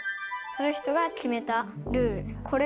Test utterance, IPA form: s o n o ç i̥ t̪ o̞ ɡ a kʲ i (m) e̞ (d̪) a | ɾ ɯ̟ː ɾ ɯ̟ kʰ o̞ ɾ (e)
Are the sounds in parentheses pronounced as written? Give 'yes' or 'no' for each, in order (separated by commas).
yes, no, yes